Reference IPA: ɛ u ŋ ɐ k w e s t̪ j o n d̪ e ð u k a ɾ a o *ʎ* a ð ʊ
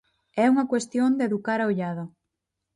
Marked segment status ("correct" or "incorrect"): correct